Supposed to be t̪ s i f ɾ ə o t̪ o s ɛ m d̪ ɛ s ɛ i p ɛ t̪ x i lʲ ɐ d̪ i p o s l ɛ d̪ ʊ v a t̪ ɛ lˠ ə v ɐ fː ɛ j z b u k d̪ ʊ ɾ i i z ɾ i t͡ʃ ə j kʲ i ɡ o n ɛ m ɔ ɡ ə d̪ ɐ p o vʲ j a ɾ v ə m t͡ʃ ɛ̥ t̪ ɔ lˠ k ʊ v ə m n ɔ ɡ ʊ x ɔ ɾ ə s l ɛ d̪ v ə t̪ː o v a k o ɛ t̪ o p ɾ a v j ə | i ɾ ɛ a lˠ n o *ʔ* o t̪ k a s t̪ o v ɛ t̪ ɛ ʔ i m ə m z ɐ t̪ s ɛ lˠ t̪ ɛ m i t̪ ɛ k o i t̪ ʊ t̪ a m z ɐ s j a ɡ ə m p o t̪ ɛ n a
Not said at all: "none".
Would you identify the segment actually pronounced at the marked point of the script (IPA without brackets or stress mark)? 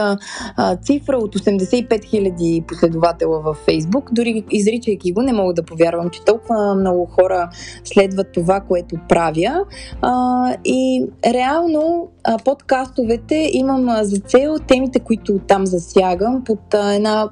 p